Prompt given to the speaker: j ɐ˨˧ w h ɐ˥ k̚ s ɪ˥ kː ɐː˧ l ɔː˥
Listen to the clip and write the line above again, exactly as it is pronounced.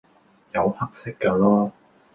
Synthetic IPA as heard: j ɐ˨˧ w h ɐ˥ k̚ s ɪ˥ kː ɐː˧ l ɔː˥